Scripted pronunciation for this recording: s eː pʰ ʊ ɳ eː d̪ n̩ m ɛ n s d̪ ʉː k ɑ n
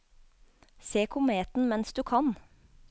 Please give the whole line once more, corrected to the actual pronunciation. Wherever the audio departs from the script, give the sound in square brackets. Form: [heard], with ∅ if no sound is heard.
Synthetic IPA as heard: s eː [kʰ] ʊ [m] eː [t̪] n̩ m ɛ n s d̪ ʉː [kʰ] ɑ n